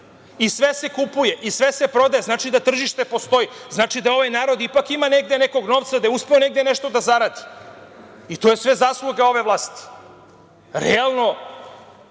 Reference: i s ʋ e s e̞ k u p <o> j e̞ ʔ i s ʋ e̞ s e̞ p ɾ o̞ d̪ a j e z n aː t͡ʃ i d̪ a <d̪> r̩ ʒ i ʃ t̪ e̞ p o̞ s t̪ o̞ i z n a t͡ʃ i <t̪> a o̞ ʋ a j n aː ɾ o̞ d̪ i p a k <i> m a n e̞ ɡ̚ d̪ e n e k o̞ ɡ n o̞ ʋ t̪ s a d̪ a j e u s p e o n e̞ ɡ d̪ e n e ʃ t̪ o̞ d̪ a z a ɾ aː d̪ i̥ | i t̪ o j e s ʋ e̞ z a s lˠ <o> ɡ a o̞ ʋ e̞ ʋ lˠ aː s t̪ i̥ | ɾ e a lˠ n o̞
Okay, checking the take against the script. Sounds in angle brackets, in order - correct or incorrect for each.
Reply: incorrect, incorrect, incorrect, correct, incorrect

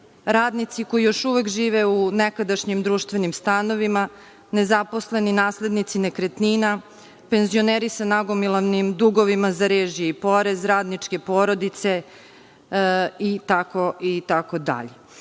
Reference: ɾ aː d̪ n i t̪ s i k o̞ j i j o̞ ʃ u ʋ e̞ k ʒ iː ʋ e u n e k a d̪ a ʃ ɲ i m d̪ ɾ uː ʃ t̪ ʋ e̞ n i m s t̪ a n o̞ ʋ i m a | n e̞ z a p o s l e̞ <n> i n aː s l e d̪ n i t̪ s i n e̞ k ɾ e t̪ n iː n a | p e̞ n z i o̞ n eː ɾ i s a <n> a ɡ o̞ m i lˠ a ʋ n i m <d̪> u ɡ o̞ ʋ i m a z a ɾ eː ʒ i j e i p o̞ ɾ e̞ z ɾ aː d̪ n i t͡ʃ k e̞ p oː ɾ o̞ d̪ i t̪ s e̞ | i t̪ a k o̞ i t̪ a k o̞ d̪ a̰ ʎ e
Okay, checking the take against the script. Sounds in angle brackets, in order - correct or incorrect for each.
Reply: correct, correct, correct

